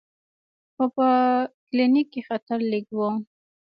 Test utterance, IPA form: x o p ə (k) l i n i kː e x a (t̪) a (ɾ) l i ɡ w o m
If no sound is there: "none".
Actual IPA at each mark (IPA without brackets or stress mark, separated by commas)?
k, t̪, ɾ